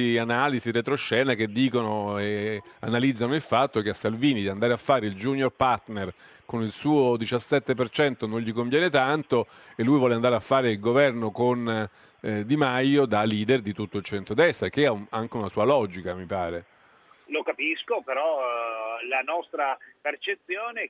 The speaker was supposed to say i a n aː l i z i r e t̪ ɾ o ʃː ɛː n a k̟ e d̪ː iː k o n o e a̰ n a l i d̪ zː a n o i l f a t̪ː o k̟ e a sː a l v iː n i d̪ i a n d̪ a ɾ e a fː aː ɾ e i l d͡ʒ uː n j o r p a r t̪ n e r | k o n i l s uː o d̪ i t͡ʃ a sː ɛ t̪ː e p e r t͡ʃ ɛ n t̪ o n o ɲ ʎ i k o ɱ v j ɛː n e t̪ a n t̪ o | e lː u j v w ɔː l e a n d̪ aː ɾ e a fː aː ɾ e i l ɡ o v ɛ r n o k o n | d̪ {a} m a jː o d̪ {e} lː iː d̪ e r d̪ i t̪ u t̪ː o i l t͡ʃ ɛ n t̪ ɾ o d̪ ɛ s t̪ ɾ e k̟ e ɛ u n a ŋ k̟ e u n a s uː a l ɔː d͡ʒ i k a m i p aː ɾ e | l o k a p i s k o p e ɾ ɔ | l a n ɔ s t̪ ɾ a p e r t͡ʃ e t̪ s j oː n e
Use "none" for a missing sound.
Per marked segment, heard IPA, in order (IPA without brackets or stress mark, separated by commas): i, a